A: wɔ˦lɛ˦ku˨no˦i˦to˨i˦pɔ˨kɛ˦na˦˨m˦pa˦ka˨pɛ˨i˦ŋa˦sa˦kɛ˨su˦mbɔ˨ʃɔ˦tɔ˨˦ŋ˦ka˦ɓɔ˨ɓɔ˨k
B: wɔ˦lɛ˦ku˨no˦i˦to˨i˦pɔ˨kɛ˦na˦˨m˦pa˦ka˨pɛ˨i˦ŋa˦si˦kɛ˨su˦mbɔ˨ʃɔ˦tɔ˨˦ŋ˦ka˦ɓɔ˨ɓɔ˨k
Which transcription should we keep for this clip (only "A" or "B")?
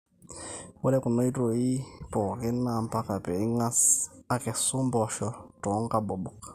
A